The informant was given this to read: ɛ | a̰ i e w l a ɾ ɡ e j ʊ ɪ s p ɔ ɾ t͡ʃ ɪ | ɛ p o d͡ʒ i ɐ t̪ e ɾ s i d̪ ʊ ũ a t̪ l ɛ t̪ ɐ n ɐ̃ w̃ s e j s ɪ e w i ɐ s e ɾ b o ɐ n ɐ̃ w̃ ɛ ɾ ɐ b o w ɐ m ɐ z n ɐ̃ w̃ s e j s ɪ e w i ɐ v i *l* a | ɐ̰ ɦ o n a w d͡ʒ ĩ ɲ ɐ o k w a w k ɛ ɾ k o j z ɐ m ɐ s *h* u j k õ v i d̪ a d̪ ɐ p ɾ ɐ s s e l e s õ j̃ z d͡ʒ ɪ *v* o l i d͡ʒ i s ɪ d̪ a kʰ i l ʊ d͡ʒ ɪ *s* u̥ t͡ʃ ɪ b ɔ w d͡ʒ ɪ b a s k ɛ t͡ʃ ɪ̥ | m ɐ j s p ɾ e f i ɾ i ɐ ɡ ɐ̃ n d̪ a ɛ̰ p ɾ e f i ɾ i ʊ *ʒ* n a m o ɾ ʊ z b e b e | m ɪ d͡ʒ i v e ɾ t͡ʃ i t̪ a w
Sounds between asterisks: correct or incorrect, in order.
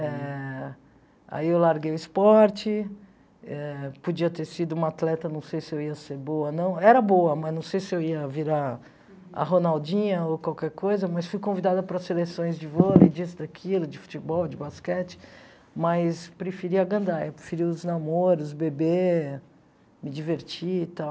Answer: incorrect, incorrect, correct, incorrect, incorrect

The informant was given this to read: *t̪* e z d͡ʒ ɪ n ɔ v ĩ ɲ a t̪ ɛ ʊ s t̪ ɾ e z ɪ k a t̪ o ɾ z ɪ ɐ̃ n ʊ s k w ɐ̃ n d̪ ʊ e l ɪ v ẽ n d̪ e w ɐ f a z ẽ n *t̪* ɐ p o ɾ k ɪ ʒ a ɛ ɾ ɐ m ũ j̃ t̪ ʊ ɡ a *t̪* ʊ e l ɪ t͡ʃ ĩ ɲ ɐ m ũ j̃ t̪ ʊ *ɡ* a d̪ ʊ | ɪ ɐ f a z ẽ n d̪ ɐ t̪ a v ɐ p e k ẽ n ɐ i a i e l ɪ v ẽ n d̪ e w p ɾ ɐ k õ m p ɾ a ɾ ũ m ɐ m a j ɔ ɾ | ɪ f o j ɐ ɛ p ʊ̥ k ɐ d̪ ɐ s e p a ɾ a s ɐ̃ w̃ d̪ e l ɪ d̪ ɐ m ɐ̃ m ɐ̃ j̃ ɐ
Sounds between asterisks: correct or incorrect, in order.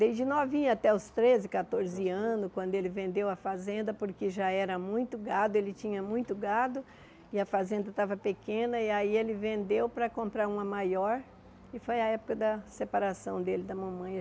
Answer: incorrect, incorrect, incorrect, correct

